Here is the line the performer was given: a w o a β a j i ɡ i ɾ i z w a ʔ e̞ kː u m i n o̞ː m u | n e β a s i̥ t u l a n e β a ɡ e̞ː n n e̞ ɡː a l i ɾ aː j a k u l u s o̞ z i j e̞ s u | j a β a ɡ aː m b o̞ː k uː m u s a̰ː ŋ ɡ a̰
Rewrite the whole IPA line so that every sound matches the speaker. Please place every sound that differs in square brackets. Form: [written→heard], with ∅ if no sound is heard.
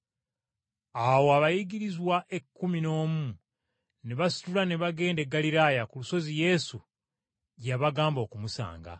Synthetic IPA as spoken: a w o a β a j i ɡ i ɾ i z w a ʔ e̞ kː u m i n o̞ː m u | n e β a s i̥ t u l a n e β a ɡ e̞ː n [n→d] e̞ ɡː a l i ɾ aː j a k u l u s o̞ z i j e̞ s u | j a β a ɡ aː m b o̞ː k [uː→u] m u s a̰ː ŋ ɡ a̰